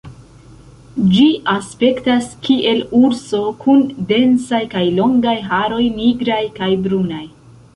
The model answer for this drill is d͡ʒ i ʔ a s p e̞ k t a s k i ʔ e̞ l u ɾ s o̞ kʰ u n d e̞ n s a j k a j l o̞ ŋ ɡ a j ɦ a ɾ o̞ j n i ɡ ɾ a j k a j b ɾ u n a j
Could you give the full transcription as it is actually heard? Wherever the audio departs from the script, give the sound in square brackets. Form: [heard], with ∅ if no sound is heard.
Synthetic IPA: d͡ʒ i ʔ a s p e̞ k t a s k i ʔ e̞ l u ɾ s o̞ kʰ u n d e̞ n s a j k a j l o̞ ŋ ɡ a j ɦ a ɾ o̞ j n i ɡ ɾ a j k a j b ɾ u n a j